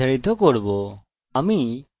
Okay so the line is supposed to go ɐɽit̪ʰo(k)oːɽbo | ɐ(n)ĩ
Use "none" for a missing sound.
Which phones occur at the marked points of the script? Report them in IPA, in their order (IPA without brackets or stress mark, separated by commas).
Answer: k, m